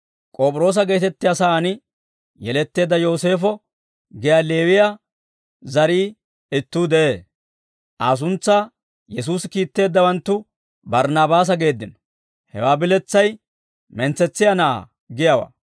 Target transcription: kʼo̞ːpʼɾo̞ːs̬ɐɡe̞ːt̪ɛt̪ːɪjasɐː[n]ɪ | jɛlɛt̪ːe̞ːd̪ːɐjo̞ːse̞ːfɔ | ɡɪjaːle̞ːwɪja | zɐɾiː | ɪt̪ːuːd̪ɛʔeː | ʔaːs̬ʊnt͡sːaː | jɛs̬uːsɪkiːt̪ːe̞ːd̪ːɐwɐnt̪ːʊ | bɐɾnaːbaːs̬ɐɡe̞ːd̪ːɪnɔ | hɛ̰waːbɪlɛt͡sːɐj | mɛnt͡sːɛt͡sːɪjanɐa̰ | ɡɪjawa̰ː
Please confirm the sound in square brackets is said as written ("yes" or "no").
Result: yes